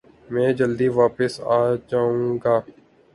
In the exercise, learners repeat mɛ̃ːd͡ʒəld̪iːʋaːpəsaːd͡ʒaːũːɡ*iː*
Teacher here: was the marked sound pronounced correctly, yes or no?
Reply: no